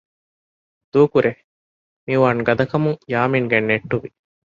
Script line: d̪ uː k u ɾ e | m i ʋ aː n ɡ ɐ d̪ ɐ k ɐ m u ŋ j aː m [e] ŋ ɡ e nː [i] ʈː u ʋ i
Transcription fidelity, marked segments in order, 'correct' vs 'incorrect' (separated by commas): incorrect, incorrect